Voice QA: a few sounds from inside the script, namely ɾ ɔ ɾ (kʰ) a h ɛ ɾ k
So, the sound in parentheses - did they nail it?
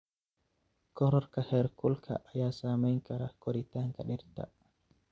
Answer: no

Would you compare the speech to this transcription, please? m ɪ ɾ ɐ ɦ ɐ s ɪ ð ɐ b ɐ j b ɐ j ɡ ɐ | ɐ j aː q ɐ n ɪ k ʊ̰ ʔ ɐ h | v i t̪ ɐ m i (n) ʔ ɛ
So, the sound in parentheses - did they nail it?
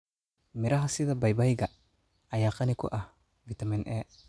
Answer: yes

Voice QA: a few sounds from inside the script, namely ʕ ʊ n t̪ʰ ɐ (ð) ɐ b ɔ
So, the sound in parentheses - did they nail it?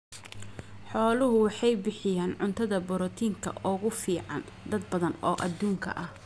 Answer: yes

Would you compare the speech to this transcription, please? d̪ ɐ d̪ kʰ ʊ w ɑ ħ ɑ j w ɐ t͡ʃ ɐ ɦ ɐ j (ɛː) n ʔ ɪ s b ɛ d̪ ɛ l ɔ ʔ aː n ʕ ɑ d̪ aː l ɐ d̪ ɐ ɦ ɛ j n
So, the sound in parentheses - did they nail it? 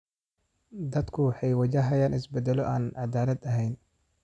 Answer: no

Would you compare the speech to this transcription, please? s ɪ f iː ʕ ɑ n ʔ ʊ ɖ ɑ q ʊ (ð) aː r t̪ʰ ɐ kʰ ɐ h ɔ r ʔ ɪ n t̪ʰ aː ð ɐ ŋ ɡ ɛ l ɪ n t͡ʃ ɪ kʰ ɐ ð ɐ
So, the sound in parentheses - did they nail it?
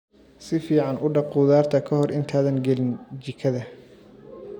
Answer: yes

